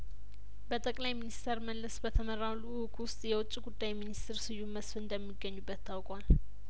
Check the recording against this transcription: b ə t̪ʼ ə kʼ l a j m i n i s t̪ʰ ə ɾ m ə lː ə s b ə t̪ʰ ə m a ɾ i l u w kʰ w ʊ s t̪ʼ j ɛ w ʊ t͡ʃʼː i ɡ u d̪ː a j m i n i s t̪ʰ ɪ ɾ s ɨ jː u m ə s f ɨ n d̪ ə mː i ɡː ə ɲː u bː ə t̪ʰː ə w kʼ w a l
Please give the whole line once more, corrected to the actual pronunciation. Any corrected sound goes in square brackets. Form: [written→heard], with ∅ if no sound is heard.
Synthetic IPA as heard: b ə t̪ʼ ə kʼ l a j m i n i s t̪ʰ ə ɾ m ə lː ə s b ə t̪ʰ ə m [a→ə] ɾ [i→a] l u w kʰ w ʊ s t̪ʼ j ɛ w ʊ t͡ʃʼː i ɡ u d̪ː a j m i n i s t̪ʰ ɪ ɾ s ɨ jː u m ə s f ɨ n d̪ ə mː i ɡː ə ɲː u bː ə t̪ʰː [ə→a] w kʼ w a l